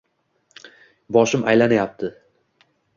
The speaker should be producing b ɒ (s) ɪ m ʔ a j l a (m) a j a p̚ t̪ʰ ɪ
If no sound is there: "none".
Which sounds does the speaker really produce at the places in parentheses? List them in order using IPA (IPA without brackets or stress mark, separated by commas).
ʃ, n